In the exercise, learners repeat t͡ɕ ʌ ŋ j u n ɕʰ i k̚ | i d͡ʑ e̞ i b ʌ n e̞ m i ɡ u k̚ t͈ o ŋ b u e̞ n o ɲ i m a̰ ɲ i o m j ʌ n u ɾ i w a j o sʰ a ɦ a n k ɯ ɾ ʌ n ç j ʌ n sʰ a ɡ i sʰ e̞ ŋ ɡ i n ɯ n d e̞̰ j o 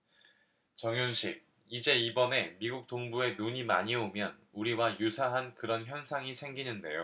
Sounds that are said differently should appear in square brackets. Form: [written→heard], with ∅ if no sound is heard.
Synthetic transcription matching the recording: t͡ɕ ʌ ŋ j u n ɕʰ i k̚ | i d͡ʑ e̞ i b ʌ n e̞ m i ɡ u k̚ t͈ o ŋ b u e̞ n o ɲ i m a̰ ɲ i o m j ʌ n u ɾ i w a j [o→u] sʰ a ɦ a n k ɯ ɾ ʌ n ç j ʌ n sʰ a [ɡ→ŋ] i sʰ e̞ ŋ ɡ i n ɯ n d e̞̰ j o